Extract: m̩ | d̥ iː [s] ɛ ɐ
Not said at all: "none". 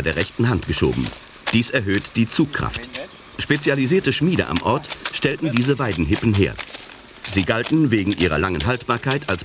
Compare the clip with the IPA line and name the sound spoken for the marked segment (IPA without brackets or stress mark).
s